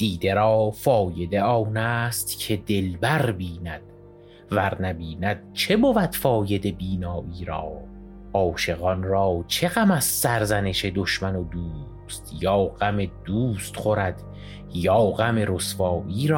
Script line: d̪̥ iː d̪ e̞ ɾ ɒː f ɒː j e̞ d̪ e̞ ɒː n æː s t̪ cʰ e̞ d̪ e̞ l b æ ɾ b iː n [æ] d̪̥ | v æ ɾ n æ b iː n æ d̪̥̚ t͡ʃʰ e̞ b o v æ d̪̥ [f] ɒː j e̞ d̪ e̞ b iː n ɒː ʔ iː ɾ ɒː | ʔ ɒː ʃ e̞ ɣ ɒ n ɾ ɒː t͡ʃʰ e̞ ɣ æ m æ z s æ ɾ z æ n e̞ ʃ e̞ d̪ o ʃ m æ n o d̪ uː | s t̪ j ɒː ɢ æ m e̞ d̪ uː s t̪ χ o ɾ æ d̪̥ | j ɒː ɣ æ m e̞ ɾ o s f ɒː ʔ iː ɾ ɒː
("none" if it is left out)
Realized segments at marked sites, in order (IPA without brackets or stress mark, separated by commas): æ, f